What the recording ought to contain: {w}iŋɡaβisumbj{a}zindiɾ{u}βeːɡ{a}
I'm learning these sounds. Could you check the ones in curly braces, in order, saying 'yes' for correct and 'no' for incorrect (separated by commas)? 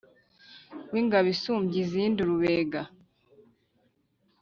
yes, no, yes, yes